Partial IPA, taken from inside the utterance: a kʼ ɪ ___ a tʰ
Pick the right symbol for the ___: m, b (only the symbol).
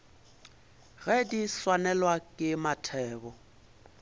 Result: m